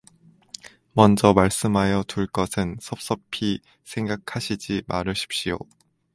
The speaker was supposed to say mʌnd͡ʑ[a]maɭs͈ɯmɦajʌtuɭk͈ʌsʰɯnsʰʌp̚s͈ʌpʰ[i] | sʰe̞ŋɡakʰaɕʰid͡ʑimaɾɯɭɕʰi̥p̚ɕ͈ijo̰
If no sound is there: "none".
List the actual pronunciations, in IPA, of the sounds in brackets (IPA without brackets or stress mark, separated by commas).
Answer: ʌ, i